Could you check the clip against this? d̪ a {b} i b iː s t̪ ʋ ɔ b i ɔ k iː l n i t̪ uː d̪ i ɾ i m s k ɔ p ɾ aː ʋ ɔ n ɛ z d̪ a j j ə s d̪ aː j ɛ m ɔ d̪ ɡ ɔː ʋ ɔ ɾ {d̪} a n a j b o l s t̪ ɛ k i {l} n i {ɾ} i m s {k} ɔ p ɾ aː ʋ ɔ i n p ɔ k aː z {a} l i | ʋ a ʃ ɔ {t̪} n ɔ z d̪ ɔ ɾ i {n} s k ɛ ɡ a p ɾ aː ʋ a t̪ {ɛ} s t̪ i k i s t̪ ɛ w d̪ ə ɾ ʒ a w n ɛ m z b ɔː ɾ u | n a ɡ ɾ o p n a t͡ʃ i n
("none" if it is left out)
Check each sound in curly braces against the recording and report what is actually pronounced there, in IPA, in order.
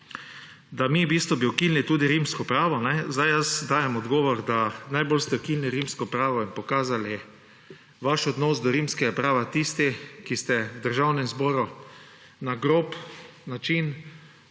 m, d̪, l, ɾ, k, a, d̪, m, i

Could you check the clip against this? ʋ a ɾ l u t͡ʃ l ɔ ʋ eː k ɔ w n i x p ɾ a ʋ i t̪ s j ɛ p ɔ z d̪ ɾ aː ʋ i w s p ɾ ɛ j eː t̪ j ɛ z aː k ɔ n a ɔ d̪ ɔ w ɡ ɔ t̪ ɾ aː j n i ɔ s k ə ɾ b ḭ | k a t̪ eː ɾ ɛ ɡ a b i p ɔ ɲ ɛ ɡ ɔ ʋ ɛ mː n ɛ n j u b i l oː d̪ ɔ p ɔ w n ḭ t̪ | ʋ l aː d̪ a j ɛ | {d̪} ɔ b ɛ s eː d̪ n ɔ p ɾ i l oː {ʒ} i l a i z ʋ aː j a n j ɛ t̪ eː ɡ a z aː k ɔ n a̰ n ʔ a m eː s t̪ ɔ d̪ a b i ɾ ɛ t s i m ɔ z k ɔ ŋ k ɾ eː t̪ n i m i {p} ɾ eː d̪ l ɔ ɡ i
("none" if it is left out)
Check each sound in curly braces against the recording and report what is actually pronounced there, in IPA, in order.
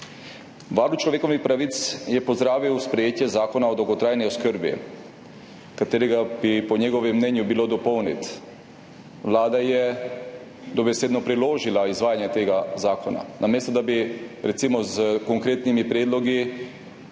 d̪, ʒ, p

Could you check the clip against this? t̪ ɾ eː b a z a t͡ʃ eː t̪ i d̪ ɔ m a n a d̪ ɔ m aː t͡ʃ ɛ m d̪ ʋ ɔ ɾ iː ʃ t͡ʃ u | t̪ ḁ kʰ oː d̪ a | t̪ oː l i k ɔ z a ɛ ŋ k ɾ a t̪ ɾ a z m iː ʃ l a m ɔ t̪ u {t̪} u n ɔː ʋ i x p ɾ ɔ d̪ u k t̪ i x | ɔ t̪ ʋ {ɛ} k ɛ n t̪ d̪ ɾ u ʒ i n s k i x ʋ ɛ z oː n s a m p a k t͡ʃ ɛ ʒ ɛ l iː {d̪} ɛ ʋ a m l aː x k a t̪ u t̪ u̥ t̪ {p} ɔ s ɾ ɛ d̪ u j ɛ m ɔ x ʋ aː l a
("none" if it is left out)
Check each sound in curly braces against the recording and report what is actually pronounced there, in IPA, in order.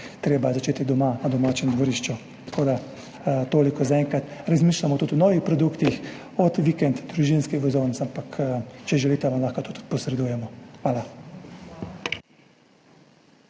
t̪, i, t̪, p

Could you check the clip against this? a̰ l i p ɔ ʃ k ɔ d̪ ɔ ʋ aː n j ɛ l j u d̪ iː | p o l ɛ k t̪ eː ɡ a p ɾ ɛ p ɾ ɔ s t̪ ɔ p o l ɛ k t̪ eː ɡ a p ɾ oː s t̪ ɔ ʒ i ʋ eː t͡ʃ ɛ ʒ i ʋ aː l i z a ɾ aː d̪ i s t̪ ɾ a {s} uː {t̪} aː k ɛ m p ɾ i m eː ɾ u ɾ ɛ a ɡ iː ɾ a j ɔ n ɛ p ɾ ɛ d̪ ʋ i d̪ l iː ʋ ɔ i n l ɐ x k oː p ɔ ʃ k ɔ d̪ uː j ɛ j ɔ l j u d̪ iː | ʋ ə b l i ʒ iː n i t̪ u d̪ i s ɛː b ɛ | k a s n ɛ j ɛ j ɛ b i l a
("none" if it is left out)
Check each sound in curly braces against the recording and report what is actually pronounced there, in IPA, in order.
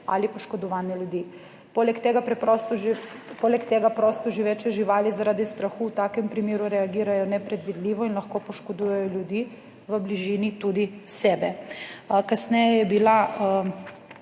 x, t̪

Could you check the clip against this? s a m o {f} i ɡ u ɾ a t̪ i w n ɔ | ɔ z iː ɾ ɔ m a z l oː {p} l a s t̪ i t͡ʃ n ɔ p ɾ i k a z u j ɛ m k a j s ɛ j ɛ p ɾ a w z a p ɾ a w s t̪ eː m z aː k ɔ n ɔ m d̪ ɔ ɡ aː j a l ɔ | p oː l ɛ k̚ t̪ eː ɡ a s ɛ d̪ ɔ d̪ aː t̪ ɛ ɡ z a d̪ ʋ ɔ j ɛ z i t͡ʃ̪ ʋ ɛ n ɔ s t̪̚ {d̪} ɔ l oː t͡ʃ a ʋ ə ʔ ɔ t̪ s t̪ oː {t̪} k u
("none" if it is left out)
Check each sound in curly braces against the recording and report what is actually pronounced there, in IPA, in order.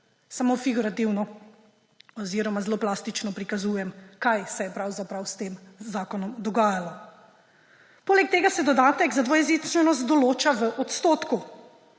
f, p, d̪, t̪

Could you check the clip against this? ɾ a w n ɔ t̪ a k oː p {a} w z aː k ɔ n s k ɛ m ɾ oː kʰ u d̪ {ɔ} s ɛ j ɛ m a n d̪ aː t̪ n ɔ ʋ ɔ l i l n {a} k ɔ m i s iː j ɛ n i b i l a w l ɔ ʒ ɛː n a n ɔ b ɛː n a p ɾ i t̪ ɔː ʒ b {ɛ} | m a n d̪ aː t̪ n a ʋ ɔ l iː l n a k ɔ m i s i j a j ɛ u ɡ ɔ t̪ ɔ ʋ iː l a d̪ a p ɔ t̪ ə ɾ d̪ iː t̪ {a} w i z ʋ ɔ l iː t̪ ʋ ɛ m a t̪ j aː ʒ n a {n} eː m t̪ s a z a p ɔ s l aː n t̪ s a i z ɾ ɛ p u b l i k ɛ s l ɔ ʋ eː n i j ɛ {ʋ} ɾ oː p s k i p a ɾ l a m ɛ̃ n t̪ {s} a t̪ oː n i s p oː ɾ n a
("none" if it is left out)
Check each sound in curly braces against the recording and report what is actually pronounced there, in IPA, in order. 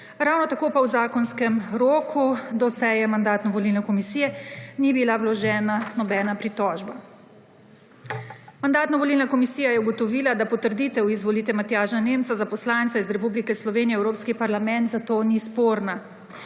a, ɔ, ɛ, a, ɛ, n, w, z

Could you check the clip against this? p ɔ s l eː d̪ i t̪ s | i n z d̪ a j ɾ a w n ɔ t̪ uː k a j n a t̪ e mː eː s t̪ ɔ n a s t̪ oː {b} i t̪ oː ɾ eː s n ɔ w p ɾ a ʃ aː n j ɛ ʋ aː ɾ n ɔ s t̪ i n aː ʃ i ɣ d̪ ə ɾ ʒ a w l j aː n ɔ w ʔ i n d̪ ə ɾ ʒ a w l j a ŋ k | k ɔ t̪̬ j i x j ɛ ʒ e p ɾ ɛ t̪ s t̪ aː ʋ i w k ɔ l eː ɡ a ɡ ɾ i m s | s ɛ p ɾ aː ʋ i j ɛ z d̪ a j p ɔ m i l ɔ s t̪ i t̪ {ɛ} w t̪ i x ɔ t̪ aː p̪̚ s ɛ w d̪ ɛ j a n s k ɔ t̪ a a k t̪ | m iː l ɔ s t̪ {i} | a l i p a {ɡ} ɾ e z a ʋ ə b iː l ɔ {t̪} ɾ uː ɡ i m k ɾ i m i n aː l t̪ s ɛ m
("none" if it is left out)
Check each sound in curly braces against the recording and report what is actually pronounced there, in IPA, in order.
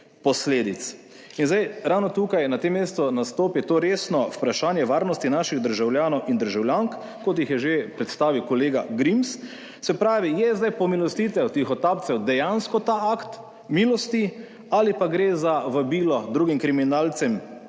p, ɛ, i, ɡ, d̪

